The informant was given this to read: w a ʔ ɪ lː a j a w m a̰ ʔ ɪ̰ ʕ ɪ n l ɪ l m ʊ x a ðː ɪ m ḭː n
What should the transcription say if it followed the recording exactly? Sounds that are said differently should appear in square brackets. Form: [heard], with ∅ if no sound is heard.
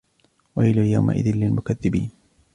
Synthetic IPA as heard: w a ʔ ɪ [l] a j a w m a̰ ʔ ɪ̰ [ð] ɪ n l ɪ l m ʊ [k] a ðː ɪ [b] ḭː n